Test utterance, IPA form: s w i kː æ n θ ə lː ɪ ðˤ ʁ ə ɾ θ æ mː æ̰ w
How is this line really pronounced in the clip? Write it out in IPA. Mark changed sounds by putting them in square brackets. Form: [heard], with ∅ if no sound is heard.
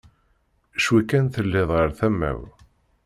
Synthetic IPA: [ʃ] w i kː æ n θ ə lː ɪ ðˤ ʁ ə ɾ θ æ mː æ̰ w